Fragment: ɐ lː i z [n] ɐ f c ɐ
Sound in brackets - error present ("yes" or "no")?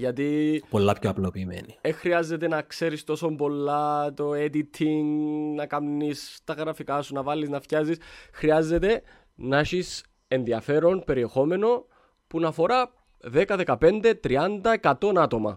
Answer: no